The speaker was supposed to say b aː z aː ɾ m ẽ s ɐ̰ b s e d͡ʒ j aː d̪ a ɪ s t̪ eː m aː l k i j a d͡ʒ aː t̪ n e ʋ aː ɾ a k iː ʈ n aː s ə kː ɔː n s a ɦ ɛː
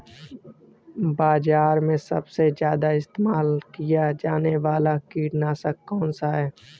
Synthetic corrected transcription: b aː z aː ɾ m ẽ s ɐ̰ b s e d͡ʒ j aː d̪ a ɪ s t̪ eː m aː l k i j a d͡ʒ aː n e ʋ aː l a k iː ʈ n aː s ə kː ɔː n s a ɦ ɛː